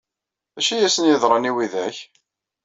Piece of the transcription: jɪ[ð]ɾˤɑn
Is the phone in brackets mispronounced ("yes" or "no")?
no